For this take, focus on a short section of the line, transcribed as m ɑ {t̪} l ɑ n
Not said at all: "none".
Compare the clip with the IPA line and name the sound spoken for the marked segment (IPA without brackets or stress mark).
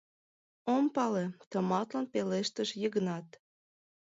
t̪